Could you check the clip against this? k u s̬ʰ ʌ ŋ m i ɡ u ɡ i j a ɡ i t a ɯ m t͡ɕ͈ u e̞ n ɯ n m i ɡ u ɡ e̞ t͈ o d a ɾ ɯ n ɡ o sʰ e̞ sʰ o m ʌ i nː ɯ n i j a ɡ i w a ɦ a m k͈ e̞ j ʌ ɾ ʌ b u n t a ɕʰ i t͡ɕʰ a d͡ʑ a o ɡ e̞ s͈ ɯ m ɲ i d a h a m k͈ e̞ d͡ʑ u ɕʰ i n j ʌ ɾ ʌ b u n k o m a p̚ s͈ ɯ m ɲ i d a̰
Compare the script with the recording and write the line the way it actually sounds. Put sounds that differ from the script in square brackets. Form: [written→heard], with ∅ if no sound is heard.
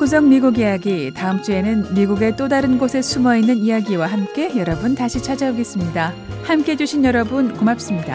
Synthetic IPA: k u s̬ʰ ʌ ŋ m i ɡ u ɡ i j a ɡ i t a ɯ m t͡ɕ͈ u e̞ n ɯ n m i ɡ u ɡ e̞ t͈ o d a ɾ ɯ n ɡ o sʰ e̞ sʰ [o→u] m ʌ i nː ɯ n i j a ɡ i w a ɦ a m k͈ e̞ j ʌ ɾ ʌ b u n t a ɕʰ i t͡ɕʰ a d͡ʑ a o ɡ e̞ s͈ ɯ m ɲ i d a h a m k͈ e̞ d͡ʑ u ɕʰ i n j ʌ ɾ ʌ b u n k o m a p̚ s͈ ɯ m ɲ i d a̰